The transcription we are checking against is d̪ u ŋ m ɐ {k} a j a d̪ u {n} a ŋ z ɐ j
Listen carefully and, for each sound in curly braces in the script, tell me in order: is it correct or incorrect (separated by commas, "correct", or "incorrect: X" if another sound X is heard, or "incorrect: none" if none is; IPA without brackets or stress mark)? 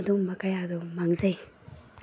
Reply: correct, incorrect: m